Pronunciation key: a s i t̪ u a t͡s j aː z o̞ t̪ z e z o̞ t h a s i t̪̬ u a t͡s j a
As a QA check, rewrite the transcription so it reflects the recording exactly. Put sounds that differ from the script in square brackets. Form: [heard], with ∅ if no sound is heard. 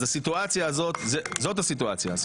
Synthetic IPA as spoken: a s i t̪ u a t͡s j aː z o̞ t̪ z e z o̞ t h a s i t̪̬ u a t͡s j a